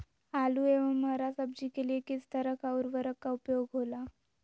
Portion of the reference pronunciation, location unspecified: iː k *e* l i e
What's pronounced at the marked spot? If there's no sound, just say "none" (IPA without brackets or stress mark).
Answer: e